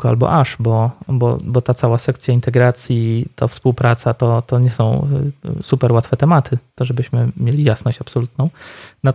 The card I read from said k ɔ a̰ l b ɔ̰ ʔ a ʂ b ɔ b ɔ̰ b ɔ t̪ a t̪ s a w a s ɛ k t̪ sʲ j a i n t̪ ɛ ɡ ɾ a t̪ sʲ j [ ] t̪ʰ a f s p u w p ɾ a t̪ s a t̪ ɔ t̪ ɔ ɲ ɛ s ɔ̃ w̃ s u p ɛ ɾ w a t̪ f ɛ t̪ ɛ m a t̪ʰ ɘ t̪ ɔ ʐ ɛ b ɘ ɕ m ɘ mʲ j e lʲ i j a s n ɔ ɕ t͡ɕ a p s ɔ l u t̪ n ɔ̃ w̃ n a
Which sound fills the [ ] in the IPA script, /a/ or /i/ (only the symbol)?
i